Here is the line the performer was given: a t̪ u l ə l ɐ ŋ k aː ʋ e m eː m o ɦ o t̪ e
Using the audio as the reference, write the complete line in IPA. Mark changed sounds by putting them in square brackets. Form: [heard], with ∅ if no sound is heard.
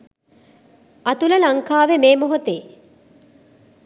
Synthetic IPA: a t̪ u l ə l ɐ ŋ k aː ʋ e m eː m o ɦ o t̪ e

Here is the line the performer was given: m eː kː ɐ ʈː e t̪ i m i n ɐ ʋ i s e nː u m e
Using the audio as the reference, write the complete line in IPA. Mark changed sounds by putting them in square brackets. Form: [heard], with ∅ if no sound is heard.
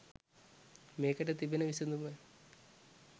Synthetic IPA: m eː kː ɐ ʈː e t̪ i [b] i n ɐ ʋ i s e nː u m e

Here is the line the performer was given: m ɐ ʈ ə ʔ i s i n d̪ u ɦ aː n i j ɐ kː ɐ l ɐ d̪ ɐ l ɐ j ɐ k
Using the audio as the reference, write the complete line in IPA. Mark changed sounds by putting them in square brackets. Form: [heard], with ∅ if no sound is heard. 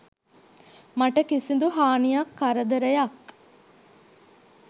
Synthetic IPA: m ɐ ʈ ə [k] i s i n d̪ u ɦ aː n i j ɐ kː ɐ [ɾ] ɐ d̪ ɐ [ɾ] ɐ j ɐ k

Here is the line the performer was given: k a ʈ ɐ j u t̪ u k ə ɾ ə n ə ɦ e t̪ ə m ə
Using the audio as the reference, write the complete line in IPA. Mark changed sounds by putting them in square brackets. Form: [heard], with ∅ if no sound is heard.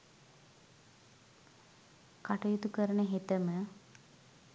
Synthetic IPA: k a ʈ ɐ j u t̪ u k ə ɾ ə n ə ɦ e t̪ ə m ə

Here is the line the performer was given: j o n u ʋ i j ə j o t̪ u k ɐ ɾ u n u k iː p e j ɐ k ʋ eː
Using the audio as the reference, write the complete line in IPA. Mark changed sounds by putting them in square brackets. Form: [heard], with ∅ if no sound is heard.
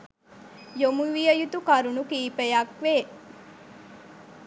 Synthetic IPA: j o [m] u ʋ i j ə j [u] t̪ u k ɐ ɾ u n u k iː p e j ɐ k ʋ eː

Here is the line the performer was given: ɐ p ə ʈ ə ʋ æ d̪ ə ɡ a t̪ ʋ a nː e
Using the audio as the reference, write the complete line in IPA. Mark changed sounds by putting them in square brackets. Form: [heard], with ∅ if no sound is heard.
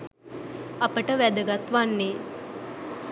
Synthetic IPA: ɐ p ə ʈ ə ʋ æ d̪ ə ɡ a t̪ ʋ a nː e

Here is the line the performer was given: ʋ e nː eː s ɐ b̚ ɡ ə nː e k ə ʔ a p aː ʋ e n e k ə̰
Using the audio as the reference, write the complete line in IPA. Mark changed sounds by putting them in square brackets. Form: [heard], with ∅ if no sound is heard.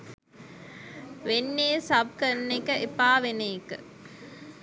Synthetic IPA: ʋ e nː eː s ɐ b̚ [k] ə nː e k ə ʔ [e] p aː ʋ e n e k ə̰

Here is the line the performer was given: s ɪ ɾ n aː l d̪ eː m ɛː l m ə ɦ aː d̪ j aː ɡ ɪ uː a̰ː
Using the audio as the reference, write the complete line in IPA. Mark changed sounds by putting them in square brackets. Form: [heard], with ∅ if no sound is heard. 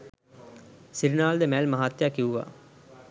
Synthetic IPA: s ɪ ɾ n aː l d̪ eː m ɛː l m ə ɦ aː [t̪] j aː [k] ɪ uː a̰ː

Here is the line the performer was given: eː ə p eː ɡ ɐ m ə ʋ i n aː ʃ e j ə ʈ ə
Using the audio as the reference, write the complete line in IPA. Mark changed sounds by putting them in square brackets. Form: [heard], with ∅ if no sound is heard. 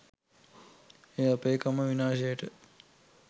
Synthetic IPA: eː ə p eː [k] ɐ m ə ʋ i n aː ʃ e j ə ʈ ə

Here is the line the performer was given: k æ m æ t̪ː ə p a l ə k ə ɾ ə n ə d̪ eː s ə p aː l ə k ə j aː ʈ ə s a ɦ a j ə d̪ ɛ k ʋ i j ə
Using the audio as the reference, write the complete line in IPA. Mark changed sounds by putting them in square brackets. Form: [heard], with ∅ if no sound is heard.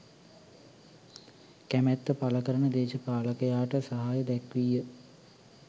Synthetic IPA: k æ m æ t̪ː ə p a l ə k ə ɾ ə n ə d̪ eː [ʃ] ə p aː l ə k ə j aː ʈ ə s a ɦ a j ə d̪ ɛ k ʋ i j ə

